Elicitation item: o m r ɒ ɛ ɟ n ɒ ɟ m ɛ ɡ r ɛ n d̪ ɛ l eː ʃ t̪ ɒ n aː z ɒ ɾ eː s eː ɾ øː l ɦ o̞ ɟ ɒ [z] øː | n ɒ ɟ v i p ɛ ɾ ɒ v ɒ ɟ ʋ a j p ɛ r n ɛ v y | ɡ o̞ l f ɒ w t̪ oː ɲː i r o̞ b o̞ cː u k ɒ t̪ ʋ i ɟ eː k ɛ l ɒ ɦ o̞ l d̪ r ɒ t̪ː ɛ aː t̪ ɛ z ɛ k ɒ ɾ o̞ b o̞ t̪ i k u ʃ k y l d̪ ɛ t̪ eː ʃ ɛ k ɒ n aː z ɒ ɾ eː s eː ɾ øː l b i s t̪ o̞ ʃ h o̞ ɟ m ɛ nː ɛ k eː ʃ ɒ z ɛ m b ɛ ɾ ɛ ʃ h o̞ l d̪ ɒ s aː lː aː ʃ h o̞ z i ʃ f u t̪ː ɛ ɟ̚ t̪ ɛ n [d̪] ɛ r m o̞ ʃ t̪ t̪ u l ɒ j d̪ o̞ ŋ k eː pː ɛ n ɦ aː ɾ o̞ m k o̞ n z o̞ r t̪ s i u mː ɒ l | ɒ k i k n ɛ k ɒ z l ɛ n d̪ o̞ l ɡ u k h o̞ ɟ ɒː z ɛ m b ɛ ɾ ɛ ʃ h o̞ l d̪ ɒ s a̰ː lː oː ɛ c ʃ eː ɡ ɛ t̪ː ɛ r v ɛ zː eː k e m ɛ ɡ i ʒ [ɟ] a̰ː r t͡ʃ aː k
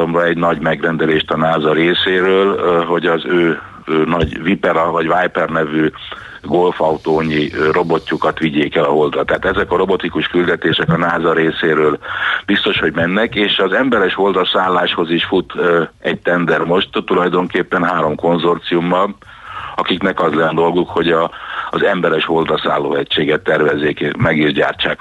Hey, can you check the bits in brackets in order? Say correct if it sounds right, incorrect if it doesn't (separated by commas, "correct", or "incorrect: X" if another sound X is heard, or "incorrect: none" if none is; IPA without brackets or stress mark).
correct, correct, correct